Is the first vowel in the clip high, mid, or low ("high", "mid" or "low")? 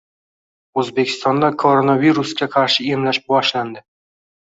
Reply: mid